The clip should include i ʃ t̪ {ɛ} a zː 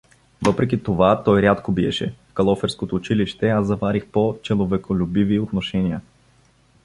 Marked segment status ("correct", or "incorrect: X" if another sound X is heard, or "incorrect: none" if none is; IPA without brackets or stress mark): correct